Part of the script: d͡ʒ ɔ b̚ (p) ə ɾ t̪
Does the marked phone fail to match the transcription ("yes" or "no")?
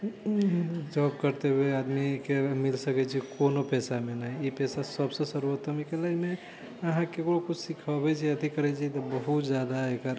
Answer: yes